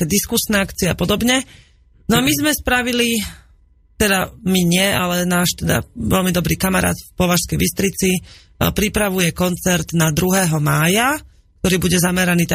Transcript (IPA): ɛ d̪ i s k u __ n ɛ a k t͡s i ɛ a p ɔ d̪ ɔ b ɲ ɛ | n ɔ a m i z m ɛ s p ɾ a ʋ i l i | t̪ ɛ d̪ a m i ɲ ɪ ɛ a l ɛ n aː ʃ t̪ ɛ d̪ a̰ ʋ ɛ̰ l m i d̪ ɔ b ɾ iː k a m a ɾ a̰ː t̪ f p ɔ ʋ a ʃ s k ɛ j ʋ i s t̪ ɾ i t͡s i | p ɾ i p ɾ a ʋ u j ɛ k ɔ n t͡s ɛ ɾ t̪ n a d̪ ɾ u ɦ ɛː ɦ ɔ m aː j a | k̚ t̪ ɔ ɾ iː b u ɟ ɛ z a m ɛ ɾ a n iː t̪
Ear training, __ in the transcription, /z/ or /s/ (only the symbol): s